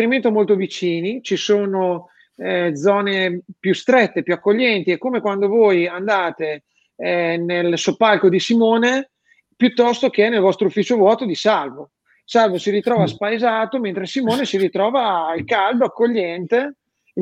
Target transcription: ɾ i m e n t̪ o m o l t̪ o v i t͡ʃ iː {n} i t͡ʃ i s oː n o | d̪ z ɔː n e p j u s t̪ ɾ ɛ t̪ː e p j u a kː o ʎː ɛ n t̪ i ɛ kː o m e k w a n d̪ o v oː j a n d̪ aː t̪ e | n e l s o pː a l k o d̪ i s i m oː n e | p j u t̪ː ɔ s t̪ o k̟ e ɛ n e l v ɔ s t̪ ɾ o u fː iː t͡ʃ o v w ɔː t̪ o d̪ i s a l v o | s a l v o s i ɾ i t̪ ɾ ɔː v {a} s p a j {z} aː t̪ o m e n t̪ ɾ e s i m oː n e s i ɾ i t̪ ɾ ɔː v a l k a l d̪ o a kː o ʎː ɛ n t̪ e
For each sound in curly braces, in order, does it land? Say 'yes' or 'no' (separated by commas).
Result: yes, yes, yes